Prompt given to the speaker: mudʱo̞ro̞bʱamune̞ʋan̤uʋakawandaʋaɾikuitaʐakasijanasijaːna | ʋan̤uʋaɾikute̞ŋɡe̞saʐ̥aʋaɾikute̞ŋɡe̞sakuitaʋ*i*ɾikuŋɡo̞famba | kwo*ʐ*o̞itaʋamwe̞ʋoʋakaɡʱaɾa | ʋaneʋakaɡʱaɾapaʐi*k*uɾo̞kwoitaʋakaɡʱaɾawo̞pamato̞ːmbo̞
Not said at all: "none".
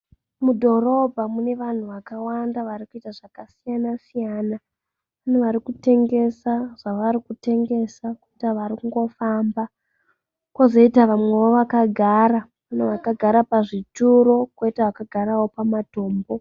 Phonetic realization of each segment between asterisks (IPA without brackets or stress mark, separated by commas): a, z, t